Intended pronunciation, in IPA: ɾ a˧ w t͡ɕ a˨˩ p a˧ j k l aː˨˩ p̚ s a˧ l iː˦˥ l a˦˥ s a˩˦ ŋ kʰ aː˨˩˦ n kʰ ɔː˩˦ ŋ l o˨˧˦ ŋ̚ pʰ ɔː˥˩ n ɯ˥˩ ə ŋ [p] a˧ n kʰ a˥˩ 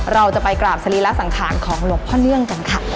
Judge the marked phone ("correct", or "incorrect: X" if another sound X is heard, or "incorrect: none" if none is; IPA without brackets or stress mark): incorrect: k